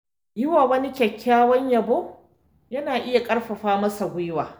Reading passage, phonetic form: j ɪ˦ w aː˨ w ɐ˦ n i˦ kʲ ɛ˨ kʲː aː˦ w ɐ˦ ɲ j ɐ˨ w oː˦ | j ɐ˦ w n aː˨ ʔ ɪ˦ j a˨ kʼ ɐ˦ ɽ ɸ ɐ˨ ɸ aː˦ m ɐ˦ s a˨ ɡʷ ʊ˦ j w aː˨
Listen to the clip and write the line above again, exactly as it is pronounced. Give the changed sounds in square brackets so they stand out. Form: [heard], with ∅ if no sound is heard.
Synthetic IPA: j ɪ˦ w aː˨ w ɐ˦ n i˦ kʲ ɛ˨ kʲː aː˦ w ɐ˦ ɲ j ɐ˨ [b] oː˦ | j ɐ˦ [∅] n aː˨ ʔ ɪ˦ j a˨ kʼ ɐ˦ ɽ ɸ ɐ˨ ɸ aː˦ m ɐ˦ s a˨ ɡʷ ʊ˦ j w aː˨